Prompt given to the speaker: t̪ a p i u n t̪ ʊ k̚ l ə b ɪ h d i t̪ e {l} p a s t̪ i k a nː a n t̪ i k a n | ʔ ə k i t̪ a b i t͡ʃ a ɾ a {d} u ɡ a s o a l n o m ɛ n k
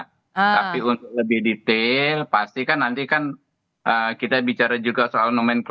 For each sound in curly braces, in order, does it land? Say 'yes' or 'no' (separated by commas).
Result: yes, no